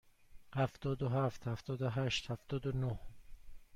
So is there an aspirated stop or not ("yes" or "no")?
no